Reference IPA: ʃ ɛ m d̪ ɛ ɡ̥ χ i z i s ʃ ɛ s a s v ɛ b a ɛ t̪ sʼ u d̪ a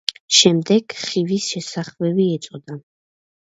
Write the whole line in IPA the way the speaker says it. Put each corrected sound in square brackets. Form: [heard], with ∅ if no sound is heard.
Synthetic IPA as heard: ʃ ɛ m d̪ ɛ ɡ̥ χ i [v] i s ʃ ɛ s a [χ] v ɛ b [i] ɛ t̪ sʼ [ɔ] d̪ a